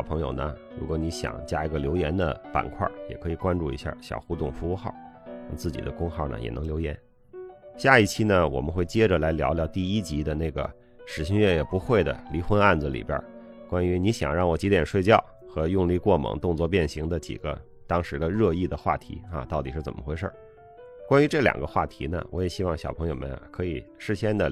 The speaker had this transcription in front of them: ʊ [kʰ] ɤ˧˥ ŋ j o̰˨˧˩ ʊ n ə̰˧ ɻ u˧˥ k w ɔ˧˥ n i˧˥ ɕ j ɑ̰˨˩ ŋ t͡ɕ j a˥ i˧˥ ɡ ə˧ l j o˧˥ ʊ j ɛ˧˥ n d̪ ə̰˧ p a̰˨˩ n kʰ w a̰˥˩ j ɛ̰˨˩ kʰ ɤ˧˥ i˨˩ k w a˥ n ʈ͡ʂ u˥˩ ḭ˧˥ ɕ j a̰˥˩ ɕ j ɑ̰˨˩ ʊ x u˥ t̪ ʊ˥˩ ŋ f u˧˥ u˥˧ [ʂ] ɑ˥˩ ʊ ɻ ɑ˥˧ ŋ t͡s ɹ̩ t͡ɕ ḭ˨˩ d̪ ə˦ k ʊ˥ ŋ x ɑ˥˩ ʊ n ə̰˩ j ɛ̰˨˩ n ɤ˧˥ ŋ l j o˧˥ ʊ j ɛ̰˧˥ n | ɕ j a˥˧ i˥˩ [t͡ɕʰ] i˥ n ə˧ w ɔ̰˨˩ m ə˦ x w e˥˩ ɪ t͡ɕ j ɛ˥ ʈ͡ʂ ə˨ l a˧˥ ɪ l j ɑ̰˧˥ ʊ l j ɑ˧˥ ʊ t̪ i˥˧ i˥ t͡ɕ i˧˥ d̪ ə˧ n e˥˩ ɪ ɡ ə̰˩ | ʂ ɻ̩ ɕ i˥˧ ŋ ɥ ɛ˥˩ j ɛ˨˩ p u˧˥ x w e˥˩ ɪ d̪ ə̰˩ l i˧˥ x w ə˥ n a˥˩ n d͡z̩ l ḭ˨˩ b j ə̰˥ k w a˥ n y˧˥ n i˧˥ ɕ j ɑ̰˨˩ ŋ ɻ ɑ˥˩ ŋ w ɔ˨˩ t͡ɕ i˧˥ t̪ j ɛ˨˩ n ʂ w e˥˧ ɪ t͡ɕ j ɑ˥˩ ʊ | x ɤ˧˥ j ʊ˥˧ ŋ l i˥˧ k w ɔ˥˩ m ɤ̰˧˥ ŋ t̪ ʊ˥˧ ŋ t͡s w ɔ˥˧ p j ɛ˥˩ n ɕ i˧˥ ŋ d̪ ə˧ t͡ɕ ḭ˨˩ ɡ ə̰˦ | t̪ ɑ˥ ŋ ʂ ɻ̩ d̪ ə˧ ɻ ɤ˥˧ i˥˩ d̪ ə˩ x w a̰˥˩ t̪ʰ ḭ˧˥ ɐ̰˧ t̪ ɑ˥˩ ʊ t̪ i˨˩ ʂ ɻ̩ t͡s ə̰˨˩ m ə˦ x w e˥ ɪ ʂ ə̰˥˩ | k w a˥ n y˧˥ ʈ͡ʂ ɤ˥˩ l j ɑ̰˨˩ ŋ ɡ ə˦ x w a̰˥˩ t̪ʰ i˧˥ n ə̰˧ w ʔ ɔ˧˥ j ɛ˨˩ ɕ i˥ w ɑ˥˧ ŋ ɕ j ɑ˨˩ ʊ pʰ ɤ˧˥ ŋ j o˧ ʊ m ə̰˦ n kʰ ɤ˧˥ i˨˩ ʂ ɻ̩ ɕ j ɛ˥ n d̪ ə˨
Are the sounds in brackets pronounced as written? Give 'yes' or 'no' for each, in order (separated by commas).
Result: no, no, yes